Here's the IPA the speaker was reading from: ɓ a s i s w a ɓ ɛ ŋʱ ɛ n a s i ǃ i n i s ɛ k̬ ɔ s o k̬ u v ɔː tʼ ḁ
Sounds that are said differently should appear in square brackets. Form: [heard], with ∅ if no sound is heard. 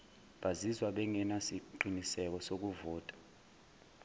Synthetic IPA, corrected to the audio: ɓ a [z] i [z] w a ɓ ɛ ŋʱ ɛ n a s i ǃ i n i s ɛ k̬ ɔ s o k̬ u v ɔː tʼ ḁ